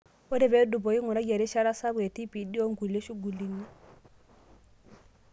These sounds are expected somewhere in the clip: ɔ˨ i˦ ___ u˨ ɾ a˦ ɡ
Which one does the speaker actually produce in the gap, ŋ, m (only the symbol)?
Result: ŋ